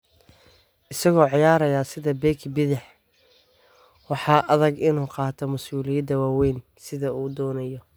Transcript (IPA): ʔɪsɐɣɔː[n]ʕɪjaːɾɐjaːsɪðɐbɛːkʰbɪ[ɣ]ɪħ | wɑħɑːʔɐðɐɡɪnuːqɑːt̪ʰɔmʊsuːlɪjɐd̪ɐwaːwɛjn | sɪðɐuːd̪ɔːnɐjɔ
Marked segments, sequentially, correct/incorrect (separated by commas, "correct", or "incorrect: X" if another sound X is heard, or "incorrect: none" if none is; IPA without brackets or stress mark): incorrect: none, incorrect: ð